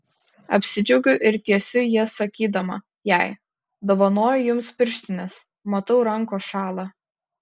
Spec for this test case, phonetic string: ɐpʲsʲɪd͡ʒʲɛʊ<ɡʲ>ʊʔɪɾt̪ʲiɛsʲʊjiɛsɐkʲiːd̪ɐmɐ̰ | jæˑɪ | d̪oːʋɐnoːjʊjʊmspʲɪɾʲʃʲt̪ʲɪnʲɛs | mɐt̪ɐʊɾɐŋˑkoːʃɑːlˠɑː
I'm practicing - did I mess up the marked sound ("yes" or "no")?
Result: no